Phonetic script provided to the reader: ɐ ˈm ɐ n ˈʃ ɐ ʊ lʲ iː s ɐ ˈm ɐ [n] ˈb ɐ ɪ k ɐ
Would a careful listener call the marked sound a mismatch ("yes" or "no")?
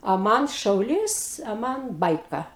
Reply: no